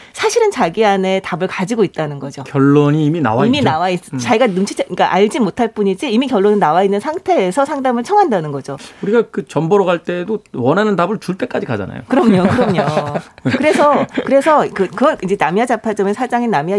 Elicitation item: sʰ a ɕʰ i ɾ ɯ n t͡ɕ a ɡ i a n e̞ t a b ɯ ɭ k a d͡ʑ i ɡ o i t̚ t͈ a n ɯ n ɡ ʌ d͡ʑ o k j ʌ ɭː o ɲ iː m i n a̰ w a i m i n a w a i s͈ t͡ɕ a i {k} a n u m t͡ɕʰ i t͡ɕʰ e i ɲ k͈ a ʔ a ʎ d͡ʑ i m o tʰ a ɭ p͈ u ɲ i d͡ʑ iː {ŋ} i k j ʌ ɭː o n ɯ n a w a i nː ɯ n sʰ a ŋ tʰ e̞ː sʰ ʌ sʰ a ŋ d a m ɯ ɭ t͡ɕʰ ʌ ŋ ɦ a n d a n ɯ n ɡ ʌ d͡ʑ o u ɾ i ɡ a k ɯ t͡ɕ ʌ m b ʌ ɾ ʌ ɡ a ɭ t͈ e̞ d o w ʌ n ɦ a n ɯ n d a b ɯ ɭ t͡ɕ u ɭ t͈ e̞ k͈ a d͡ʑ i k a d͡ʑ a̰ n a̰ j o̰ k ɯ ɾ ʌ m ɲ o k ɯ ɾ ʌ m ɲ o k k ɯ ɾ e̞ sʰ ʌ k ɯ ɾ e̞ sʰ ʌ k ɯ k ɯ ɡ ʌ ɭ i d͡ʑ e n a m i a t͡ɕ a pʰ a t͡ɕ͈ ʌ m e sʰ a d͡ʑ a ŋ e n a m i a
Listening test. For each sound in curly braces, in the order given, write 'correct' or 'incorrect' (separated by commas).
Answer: incorrect, incorrect